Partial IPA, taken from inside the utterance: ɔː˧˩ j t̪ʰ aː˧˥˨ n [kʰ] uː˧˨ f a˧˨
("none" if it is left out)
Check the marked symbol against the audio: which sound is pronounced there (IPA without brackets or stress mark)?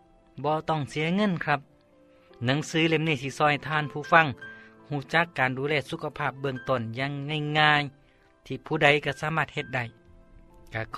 pʰ